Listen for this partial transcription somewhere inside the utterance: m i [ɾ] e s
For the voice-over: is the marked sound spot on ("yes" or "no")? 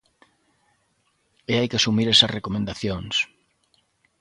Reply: yes